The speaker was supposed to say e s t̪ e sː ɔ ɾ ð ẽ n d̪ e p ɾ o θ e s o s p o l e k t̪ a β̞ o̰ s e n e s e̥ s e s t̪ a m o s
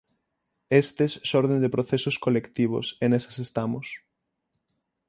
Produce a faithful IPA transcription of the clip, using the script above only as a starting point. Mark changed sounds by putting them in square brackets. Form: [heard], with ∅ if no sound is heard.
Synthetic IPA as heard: e s t̪ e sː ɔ ɾ ð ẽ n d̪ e p ɾ o θ e s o s [k] o l e k t̪ [i] β̞ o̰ s e n e s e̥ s e s t̪ a m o s

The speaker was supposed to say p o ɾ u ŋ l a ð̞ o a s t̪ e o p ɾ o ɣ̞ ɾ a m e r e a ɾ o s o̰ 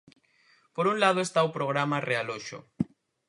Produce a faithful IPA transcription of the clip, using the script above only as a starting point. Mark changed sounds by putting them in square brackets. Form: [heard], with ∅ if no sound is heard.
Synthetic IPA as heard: p o ɾ u [n] l a ð̞ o [e] s t̪ [a] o p ɾ o ɣ̞ ɾ a m [a] r e a [l] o [ʃ] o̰

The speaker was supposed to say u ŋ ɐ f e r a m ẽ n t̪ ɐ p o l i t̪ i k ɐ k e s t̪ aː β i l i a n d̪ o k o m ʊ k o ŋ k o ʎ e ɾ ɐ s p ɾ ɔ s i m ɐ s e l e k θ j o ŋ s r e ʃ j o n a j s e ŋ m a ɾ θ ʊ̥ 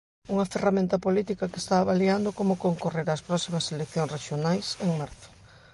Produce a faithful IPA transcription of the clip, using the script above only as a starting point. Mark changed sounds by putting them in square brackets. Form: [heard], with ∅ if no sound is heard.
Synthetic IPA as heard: u ŋ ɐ f e r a m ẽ n t̪ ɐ p o l i t̪ i k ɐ k e s t̪ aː β [a] l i a n d̪ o k o m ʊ k o ŋ k o [r] e ɾ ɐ s p ɾ ɔ s i m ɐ s e l e k θ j o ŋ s r e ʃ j o n a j s e ŋ m a ɾ θ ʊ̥

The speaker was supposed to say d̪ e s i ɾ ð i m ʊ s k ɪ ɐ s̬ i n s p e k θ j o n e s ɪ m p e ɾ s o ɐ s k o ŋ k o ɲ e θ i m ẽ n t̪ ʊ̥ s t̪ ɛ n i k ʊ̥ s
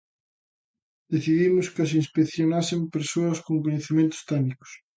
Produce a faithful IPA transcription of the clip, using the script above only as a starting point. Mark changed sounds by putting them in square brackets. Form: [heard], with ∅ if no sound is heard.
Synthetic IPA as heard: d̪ e [θ] i [∅] ð i m ʊ s k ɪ ɐ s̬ i n s p e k θ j o n [a] s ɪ m p e ɾ s o ɐ s k o ŋ k o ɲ e θ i m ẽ n t̪ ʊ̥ s t̪ ɛ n i k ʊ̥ s

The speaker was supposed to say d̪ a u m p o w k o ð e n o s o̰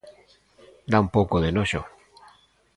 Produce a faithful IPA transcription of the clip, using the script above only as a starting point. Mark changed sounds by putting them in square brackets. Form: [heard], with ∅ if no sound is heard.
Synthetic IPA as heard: d̪ a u m p o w k o ð e n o [ʃ] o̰

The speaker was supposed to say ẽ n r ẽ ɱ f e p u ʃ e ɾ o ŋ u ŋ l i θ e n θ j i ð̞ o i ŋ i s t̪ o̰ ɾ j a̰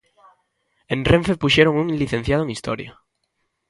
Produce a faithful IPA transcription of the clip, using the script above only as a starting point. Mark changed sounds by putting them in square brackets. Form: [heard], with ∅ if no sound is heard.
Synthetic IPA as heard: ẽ n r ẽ ɱ f e p u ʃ e ɾ o ŋ u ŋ l i θ e n θ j [a] ð̞ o [e] ŋ i s t̪ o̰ ɾ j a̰

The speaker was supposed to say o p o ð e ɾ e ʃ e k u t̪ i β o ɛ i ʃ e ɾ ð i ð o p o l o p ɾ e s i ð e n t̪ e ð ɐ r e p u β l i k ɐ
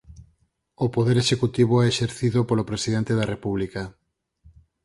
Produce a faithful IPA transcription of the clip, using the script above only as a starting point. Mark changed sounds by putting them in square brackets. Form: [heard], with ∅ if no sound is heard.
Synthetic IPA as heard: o p o ð e ɾ e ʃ e k u t̪ i β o ɛ [e] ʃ e ɾ [θ] i ð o p o l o p ɾ e s i ð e n t̪ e ð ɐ r e p u β l i k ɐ

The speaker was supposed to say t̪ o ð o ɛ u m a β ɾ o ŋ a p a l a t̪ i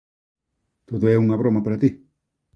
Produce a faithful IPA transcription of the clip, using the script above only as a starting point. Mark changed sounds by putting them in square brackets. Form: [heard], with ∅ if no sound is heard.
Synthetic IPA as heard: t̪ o ð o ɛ u [ŋ] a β ɾ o [m] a p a [ɾ] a t̪ i

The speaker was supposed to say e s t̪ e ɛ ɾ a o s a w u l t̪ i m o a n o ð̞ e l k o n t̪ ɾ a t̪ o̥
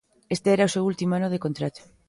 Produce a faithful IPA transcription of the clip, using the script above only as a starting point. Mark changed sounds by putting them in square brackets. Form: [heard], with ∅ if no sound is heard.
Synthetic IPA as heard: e s t̪ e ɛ ɾ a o s [e] w u l t̪ i m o a n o ð̞ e [∅] k o n t̪ ɾ a t̪ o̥

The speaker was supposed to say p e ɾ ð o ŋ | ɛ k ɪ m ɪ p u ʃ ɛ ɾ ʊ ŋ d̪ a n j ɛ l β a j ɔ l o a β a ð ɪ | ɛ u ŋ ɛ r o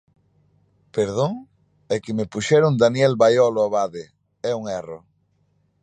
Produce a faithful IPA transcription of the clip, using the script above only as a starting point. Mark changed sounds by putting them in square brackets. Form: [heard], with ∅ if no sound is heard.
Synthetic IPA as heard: p e ɾ ð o ŋ | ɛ k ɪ m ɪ p u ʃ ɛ ɾ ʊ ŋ d̪ a n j ɛ l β a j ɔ l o a β a ð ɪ | ɛ u ŋ ɛ r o

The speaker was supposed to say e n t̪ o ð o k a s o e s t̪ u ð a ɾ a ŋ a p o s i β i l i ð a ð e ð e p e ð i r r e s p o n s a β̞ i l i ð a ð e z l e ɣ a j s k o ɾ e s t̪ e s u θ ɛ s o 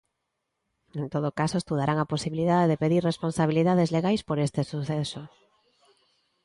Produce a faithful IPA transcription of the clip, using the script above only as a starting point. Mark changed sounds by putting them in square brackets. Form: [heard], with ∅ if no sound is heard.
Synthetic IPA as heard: e n t̪ o ð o k a s o e s t̪ u ð a ɾ a ŋ a p o s i β i l i ð a ð e ð e p e ð i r r e s p o n s a β̞ i l i ð a ð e z l e ɣ a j s [p] o ɾ e s t̪ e s u θ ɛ s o

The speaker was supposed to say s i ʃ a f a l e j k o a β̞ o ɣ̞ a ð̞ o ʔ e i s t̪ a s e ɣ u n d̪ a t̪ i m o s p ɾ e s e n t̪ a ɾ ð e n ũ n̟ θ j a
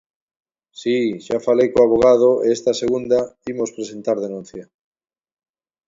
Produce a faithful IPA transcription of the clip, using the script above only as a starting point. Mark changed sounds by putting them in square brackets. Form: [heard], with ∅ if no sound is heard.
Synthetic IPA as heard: s i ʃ a f a l e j k o a β̞ o ɣ̞ a ð̞ o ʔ e [e] s t̪ a s e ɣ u n d̪ a [∅] i m o s p ɾ e s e n t̪ a ɾ ð e n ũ n̟ θ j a

